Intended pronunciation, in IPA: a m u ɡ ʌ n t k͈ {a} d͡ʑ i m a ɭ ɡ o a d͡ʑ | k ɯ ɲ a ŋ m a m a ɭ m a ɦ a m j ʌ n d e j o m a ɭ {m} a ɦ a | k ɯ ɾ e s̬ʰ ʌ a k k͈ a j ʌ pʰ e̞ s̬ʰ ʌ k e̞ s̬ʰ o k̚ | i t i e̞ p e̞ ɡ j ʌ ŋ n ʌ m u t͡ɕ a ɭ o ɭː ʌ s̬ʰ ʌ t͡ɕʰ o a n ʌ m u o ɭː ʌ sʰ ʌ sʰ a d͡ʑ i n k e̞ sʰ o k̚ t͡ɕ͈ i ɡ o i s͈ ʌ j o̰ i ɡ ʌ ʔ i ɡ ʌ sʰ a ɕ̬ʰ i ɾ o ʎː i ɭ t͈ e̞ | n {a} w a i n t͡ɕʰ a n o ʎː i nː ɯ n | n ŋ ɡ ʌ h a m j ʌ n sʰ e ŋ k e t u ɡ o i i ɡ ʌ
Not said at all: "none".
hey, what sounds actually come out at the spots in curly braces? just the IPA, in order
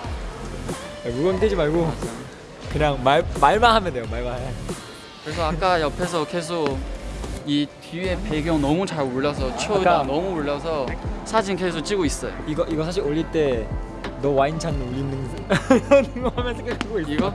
e, m, ʌ

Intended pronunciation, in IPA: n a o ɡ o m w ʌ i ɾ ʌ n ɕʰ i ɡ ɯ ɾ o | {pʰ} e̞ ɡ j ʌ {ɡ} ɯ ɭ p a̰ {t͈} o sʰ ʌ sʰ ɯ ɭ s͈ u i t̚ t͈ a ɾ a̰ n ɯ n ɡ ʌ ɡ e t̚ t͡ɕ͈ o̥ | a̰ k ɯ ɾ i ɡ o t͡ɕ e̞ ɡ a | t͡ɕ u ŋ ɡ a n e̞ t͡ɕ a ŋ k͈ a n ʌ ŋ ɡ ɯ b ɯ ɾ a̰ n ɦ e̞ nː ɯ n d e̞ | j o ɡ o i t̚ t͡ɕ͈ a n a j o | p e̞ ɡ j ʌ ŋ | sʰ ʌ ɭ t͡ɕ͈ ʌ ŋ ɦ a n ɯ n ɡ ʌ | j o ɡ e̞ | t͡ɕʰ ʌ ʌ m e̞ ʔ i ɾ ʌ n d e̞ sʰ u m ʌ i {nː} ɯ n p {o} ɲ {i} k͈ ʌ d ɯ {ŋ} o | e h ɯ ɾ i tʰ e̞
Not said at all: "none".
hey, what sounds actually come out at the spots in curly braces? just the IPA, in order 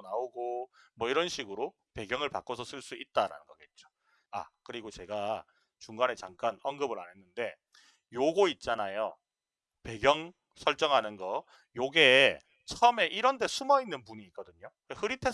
p, ŋ, k͈, nː, u, iː, ɲ

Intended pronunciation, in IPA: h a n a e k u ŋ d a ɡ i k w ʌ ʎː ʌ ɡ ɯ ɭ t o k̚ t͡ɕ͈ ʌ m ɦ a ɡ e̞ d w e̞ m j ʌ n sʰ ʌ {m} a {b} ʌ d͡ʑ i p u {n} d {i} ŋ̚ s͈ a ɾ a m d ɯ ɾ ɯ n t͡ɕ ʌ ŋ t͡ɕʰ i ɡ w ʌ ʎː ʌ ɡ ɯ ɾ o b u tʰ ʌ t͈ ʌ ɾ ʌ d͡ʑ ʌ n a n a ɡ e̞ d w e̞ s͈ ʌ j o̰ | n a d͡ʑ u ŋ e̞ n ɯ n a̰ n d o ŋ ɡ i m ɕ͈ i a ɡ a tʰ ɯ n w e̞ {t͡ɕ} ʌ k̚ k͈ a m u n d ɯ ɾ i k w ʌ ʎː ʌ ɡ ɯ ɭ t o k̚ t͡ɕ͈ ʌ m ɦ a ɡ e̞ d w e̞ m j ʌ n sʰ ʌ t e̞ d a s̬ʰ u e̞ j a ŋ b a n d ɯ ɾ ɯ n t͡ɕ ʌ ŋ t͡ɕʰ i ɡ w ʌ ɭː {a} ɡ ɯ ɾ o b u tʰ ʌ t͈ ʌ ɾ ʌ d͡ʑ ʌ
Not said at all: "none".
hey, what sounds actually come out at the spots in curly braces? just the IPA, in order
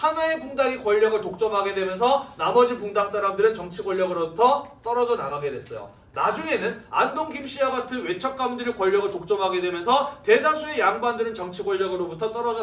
n, m, ŋ, a, t͡ɕʰ, ʌ

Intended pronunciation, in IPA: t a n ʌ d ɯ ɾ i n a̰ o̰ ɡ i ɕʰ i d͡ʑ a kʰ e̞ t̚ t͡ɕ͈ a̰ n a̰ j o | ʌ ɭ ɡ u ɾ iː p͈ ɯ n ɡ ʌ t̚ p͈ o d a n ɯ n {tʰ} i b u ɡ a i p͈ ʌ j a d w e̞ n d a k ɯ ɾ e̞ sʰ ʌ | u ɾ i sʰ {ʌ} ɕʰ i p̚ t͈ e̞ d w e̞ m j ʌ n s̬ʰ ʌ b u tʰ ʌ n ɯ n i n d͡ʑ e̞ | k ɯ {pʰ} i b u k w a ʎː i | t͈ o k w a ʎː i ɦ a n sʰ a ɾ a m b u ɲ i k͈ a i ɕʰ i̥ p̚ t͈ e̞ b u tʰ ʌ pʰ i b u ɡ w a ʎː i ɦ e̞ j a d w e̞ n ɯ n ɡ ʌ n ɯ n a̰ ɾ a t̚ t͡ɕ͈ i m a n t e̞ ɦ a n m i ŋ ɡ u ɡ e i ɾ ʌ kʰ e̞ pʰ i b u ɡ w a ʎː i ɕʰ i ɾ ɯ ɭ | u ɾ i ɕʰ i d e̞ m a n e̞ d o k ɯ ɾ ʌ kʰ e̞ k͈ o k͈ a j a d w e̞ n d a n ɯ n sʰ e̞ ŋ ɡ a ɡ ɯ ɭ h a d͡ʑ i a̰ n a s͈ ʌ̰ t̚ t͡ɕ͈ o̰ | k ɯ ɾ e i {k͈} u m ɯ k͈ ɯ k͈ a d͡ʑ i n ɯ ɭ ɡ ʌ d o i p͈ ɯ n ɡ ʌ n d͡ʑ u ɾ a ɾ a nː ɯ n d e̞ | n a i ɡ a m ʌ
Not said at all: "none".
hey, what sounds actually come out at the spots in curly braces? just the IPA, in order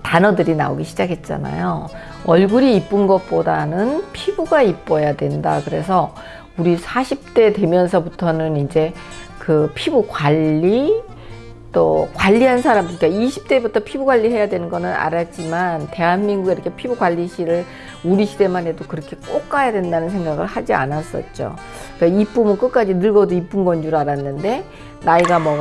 pʰ, a, pʰ, p͈

